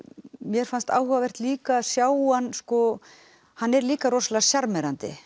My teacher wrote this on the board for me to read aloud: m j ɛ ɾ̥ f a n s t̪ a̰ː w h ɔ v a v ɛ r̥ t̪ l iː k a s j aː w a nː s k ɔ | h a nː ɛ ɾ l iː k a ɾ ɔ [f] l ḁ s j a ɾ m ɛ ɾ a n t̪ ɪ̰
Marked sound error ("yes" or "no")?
yes